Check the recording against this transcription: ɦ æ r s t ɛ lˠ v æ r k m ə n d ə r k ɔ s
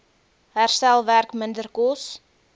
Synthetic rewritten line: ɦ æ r s t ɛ lˠ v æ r k m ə n d ə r k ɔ s